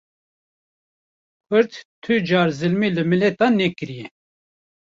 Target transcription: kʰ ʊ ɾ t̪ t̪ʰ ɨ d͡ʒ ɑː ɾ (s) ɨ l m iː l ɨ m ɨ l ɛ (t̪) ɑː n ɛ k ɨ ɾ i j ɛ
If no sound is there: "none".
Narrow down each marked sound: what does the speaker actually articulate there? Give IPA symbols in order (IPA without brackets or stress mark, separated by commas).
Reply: z, t̪